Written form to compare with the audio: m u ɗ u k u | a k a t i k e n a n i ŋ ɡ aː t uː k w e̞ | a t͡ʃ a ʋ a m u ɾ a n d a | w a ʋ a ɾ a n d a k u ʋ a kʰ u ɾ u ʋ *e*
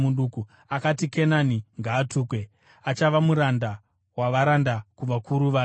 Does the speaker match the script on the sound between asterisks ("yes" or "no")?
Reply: no